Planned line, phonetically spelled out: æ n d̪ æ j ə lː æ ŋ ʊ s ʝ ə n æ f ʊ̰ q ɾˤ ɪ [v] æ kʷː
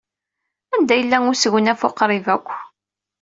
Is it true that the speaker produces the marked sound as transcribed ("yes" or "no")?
yes